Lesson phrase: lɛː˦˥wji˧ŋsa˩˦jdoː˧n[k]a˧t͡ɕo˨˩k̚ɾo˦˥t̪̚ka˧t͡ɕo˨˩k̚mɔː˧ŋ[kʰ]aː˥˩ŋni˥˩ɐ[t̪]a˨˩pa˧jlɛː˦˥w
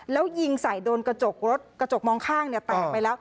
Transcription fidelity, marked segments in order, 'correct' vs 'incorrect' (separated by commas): correct, correct, correct